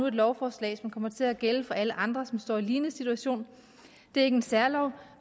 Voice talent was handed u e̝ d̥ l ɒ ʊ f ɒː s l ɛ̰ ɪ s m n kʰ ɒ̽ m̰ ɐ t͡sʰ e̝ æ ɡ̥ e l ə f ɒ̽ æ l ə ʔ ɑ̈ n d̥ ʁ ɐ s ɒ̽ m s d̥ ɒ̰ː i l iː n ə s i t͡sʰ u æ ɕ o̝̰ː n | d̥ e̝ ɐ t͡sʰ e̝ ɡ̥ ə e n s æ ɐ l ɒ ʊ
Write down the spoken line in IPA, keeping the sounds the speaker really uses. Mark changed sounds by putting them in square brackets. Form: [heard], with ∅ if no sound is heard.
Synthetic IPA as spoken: u e̝ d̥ l ɒ ʊ f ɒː s l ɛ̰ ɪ s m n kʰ ɒ̽ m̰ ɐ t͡sʰ e̝ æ ɡ̥ e l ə f ɒ̽ æ l ə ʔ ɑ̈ n d̥ ʁ ɐ s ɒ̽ m s d̥ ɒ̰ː i l iː n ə s i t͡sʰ u æ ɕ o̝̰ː n | d̥ e̝ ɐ [∅] e̝ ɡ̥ ə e n s æ ɐ l ɒ ʊ